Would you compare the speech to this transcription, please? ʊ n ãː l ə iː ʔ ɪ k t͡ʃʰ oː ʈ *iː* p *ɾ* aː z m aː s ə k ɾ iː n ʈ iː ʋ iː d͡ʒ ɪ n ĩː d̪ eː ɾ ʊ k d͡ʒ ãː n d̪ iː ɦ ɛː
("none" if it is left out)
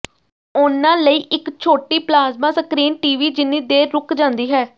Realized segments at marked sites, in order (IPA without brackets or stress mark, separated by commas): iː, l